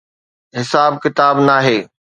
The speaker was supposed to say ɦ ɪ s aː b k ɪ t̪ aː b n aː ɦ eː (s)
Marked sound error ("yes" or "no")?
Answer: yes